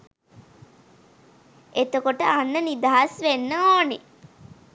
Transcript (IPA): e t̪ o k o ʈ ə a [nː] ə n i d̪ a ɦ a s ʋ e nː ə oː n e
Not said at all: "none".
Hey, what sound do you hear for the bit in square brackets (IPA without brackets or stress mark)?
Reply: nː